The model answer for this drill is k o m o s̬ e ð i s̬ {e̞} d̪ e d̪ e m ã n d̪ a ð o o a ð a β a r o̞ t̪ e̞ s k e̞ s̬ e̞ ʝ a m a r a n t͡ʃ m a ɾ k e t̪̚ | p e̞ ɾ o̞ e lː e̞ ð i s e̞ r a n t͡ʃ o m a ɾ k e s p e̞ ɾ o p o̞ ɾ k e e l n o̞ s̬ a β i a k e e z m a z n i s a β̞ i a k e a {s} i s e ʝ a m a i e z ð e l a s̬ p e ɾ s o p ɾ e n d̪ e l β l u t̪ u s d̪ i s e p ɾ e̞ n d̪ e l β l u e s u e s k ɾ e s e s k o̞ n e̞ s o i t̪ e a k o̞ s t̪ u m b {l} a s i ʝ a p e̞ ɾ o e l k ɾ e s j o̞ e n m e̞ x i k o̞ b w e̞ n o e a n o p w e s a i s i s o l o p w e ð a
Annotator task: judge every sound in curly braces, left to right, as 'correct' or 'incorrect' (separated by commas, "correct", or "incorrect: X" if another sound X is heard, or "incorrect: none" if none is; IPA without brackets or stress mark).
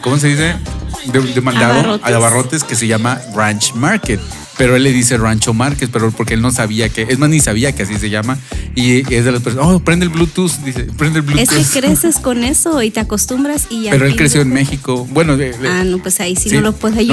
correct, correct, incorrect: ɾ